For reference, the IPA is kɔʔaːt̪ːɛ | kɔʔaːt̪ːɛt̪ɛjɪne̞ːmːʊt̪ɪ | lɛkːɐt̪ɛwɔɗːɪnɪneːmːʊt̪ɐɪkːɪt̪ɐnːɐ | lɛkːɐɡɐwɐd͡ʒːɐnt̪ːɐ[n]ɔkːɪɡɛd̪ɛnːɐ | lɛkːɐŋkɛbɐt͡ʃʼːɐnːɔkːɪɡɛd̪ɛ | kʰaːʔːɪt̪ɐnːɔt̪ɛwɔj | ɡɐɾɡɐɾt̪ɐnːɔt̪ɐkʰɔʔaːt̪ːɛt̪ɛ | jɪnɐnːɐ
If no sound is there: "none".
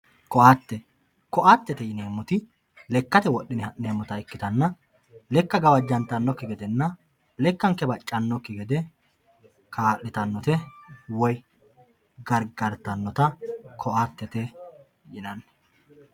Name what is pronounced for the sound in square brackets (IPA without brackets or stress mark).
nː